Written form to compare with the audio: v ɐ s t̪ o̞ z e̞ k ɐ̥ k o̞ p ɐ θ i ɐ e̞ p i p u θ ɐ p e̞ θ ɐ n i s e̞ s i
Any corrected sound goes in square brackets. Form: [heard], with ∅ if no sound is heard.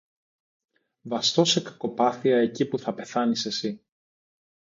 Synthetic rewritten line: v ɐ s t̪ o̞ [s] e̞ k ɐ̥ k o̞ p ɐ θ i ɐ e̞ [c] i p u θ ɐ p e̞ θ ɐ n i s e̞ s i